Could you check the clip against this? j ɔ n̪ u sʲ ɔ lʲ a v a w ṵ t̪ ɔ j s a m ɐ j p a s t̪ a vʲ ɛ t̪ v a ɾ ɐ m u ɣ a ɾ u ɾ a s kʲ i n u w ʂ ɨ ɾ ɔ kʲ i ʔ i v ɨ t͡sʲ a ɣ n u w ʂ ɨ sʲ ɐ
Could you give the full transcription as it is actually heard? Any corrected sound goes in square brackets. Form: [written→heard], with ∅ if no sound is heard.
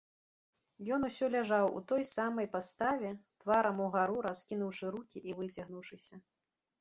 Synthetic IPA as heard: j ɔ n̪ u sʲ ɔ lʲ a [v→ʐ] a w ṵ t̪ ɔ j s a m ɐ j p a s t̪ a vʲ ɛ t̪ v a ɾ ɐ m u ɣ a ɾ u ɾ a s kʲ i n u w ʂ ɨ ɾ [ɔ→u] kʲ i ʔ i v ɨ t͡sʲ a ɣ n u w ʂ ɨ sʲ ɐ